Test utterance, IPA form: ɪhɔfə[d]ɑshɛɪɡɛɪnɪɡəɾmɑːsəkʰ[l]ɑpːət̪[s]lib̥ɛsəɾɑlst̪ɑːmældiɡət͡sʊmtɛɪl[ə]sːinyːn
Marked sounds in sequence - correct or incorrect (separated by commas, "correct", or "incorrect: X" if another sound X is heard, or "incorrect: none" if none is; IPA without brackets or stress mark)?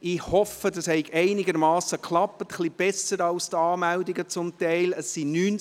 correct, correct, incorrect: χ, correct